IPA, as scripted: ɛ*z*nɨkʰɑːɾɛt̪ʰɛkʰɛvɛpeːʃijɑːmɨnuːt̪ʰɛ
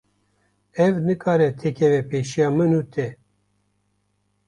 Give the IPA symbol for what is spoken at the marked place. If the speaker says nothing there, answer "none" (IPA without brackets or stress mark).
v